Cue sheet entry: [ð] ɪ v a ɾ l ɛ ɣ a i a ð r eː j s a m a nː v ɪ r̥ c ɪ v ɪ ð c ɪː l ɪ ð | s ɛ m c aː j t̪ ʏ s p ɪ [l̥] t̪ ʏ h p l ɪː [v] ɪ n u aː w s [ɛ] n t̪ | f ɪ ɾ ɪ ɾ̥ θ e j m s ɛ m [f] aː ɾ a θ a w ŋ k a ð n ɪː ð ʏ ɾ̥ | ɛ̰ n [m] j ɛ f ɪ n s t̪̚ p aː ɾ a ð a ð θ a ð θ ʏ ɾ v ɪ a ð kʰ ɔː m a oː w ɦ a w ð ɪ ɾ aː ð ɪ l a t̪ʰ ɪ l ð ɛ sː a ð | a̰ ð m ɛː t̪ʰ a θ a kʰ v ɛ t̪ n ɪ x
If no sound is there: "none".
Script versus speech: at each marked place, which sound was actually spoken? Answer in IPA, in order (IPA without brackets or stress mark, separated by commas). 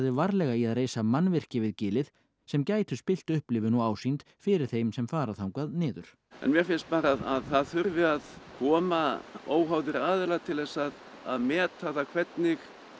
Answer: ð, l̥, v, i, f, m